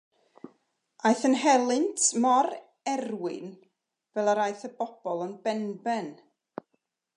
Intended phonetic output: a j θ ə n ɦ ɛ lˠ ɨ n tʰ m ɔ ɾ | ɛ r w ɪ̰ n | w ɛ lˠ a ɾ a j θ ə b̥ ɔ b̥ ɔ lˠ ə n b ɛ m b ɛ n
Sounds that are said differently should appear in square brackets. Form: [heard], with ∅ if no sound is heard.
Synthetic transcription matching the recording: a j θ ə n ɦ ɛ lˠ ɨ n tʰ m ɔ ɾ | ɛ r w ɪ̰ n | [v] ɛ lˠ a ɾ a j θ ə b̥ ɔ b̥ ɔ lˠ ə n b ɛ [n] b ɛ n